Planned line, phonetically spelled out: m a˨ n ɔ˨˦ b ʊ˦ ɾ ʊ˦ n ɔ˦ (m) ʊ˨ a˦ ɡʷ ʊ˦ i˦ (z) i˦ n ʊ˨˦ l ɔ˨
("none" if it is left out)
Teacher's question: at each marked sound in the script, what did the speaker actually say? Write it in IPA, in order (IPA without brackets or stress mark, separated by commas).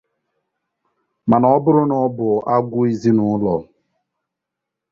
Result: b, z